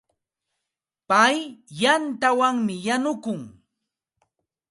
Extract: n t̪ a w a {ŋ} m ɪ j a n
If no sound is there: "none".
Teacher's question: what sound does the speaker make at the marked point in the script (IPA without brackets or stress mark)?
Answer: ŋ